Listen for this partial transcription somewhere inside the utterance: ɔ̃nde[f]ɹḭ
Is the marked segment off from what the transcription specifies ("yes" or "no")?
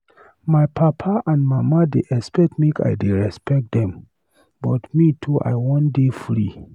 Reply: no